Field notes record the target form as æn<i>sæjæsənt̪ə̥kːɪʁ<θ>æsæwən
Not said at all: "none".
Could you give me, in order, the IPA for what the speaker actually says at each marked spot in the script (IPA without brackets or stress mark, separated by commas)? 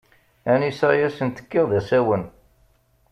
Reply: i, ð